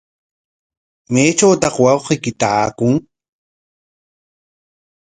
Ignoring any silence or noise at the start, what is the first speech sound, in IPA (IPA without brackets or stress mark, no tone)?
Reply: m